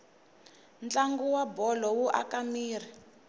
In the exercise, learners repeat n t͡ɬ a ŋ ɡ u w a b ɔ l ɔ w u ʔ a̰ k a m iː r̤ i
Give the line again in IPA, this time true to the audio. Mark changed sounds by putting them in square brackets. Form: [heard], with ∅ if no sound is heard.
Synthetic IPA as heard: n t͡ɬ a ŋ ɡ u w a b ɔ l ɔ w u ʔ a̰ k a m iː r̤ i